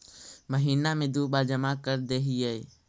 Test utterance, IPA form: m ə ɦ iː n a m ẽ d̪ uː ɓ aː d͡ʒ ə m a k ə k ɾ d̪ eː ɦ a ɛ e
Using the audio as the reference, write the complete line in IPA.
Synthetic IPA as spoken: m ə ɦ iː n a m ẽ d̪ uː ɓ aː d͡ʒ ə m a k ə ɾ d̪ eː ɦ i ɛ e